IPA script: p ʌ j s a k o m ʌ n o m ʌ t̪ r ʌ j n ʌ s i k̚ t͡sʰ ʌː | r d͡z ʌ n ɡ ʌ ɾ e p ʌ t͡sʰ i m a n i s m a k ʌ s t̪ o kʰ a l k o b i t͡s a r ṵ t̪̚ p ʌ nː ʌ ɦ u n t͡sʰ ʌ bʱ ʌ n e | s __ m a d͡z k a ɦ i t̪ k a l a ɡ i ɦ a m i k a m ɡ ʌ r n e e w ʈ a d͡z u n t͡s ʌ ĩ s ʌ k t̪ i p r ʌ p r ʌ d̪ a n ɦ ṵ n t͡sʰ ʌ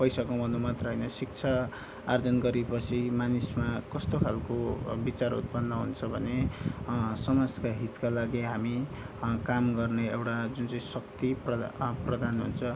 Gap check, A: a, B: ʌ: B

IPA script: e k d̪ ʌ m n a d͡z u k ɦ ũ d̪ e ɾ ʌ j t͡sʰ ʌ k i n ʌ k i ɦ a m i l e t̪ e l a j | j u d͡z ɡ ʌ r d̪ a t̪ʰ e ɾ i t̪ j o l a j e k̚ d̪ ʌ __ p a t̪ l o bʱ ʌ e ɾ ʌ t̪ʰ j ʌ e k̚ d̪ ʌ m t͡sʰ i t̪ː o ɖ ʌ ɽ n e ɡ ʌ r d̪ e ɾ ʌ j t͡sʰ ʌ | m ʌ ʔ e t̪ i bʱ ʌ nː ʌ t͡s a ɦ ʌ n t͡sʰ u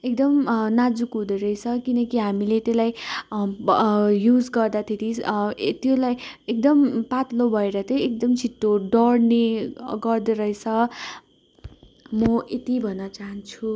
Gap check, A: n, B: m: B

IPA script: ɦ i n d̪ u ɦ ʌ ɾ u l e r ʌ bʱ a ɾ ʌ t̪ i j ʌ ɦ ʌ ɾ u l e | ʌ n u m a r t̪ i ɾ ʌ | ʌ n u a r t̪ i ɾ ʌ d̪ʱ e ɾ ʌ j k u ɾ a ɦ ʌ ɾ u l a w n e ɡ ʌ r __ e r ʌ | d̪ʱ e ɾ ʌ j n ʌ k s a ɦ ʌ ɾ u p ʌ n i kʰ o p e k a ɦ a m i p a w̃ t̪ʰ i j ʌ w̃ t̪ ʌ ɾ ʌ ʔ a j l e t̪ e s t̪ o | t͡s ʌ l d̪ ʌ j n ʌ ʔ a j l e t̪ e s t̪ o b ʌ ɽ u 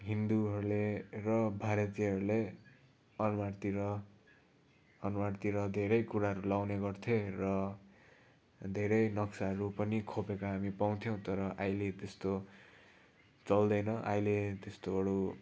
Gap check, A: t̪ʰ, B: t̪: A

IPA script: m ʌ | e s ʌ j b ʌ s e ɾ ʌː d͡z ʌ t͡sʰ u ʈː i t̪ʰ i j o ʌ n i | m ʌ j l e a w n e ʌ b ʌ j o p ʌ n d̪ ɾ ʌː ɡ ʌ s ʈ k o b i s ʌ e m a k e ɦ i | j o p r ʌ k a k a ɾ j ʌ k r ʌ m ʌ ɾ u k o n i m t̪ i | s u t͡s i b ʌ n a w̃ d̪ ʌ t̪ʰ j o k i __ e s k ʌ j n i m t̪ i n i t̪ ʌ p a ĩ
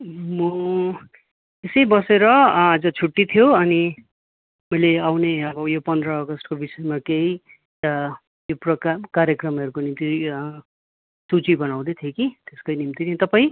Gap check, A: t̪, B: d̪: A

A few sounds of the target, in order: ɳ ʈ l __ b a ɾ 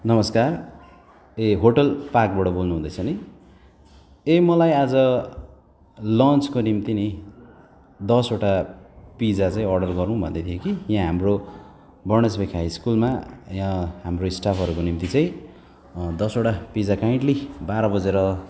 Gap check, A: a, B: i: B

